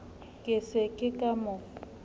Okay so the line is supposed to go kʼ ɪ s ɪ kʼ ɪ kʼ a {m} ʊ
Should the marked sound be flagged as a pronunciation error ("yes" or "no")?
no